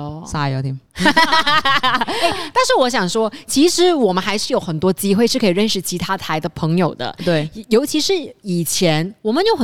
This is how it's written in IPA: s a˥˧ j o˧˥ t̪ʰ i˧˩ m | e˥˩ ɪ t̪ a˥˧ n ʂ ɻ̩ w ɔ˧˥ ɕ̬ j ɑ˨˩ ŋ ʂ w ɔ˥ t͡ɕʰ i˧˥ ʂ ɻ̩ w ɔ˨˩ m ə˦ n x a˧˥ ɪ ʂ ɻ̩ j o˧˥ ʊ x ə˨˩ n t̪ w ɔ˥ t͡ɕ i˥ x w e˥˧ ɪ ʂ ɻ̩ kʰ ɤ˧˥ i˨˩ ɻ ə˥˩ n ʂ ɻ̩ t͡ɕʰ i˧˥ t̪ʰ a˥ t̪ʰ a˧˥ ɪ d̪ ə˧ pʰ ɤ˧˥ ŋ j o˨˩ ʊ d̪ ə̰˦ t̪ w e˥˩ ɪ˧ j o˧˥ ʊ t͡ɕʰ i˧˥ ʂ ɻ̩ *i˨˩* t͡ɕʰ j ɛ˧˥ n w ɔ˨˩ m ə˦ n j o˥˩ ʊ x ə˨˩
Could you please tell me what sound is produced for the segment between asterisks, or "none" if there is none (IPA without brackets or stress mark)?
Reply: i˨˩